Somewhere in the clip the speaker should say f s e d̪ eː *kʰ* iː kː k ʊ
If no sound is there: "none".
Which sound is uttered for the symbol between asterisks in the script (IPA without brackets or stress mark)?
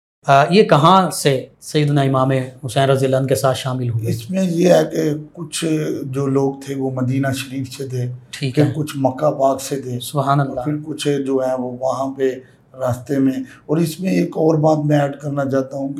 ʈʰ